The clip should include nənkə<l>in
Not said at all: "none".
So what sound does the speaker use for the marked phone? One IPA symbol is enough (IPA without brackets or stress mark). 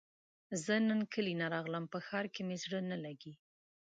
l